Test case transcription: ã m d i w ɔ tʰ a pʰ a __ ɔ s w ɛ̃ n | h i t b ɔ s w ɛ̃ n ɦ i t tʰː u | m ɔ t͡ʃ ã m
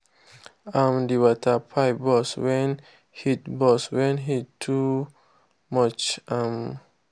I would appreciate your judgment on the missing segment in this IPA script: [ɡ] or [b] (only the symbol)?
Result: b